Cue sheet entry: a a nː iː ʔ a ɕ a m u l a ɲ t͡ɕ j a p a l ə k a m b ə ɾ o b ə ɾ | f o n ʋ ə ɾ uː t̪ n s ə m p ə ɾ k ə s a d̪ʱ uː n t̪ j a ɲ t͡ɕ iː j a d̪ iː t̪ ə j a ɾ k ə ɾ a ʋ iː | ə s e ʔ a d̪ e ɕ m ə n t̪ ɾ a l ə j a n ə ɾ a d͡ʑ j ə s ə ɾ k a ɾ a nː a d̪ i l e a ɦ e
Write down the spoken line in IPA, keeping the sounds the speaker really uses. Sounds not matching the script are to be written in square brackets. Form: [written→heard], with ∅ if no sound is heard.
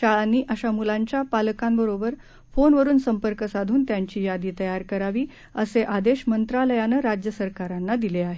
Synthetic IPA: a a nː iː ʔ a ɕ a m u l a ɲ t͡ɕ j a p a l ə k a m b ə ɾ o b ə ɾ | f o n ʋ ə ɾ uː [t̪→∅] n s ə m p ə ɾ k ə s a d̪ʱ uː n t̪ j a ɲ t͡ɕ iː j a d̪ iː t̪ ə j a ɾ k ə ɾ a ʋ iː | ə s e ʔ a d̪ e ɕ m ə n t̪ ɾ a l ə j a n ə ɾ a d͡ʑ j ə s ə ɾ k a ɾ a nː a d̪ i l e a ɦ e